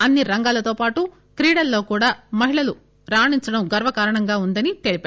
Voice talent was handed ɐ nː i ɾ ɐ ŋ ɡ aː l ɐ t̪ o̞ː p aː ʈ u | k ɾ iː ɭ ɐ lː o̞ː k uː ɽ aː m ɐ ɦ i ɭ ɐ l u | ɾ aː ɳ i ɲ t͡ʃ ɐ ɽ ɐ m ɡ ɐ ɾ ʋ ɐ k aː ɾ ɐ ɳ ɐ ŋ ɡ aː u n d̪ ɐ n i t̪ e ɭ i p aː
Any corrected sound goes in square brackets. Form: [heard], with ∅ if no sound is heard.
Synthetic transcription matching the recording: ɐ nː i ɾ ɐ ŋ ɡ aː l ɐ t̪ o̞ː p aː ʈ u | k ɾ iː [ɽ] ɐ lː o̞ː k uː ɽ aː m ɐ ɦ i ɭ ɐ l u | ɾ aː ɳ i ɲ t͡ʃ ɐ ɽ ɐ m ɡ ɐ ɾ ʋ ɐ k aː ɾ ɐ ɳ ɐ ŋ ɡ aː u n d̪ ɐ n i t̪ e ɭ i p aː

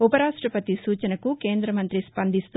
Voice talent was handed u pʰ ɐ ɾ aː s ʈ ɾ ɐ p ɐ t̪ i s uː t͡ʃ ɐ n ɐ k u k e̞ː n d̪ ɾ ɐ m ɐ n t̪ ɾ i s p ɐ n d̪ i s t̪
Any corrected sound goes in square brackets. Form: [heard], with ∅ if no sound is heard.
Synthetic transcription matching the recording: u [p] ɐ ɾ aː [ʂ] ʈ ɾ ɐ p ɐ t̪ i s uː t͡ʃ ɐ n ɐ k u k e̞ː n d̪ ɾ ɐ m ɐ n t̪ ɾ i s p ɐ n d̪ i s t̪

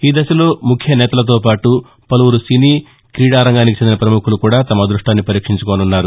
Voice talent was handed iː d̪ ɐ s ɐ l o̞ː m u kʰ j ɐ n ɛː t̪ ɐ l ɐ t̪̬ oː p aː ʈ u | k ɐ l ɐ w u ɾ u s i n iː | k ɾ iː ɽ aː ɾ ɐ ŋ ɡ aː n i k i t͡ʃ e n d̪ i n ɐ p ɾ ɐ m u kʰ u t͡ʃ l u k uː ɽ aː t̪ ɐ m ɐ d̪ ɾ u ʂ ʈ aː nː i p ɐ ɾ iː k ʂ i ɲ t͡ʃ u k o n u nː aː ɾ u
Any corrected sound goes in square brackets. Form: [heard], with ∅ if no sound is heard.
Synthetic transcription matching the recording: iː d̪ ɐ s ɐ l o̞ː m u kʰ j ɐ n ɛː t̪ ɐ l ɐ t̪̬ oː p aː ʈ u | [p] ɐ l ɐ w u ɾ u s i n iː | k ɾ iː ɽ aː ɾ ɐ ŋ ɡ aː n i k i t͡ʃ e n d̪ i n ɐ p ɾ ɐ m u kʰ u [∅] l u k uː ɽ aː t̪ ɐ m ɐ d̪ ɾ u ʂ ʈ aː nː i p ɐ ɾ iː k ʂ i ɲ t͡ʃ u k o n u nː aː ɾ u

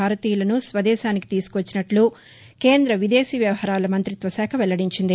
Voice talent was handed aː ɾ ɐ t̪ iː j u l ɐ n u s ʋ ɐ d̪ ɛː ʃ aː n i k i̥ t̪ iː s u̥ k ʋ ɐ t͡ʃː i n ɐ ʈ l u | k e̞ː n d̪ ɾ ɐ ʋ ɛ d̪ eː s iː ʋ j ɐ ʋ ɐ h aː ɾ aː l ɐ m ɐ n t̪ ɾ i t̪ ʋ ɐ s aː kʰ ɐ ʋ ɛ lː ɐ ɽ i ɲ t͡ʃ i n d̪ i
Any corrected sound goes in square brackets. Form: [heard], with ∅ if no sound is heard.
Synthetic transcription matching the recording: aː ɾ ɐ t̪ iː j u l ɐ n u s ʋ ɐ d̪ ɛː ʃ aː n i k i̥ t̪ iː s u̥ k ʋ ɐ t͡ʃː i n ɐ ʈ l u | k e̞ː n d̪ ɾ ɐ ʋ [i] d̪ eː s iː ʋ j ɐ ʋ ɐ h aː ɾ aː l ɐ m ɐ n t̪ ɾ i t̪ ʋ ɐ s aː kʰ ɐ ʋ ɛ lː ɐ ɽ i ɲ t͡ʃ i n d̪ i

